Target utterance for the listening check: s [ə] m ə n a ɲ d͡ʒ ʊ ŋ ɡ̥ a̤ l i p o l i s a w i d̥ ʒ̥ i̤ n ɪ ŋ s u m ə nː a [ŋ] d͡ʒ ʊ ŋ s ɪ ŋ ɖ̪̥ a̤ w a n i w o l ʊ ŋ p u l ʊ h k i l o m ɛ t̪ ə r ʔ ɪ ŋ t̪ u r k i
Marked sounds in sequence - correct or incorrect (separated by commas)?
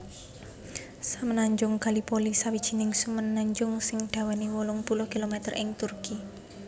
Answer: incorrect, incorrect